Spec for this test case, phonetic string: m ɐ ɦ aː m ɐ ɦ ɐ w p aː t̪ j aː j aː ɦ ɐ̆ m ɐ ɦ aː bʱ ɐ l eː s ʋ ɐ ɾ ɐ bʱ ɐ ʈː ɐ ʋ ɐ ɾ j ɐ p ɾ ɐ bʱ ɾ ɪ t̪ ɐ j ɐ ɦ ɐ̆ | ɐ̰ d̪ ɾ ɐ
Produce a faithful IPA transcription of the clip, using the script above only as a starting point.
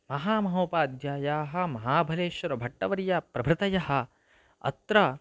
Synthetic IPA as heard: m ɐ ɦ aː m ɐ ɦ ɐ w p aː d̪ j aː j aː ɦ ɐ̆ m ɐ ɦ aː bʱ ɐ l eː ʃ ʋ ɐ ɾ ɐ bʱ ɐ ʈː ɐ ʋ ɐ ɾ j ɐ p ɾ ɐ bʱ ɾ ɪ t̪ ɐ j ɐ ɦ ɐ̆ | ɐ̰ t̪ ɾ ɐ